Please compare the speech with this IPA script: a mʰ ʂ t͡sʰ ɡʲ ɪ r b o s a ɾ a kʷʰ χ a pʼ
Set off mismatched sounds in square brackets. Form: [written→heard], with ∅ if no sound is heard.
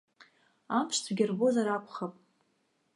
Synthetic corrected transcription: a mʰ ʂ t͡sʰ ɡʲ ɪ r b o [s→z] a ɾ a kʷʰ χ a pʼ